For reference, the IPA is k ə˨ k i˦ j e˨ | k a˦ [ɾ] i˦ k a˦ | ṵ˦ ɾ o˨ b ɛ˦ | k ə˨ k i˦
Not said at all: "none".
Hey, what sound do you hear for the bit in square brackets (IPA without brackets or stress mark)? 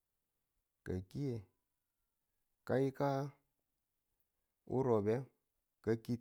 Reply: none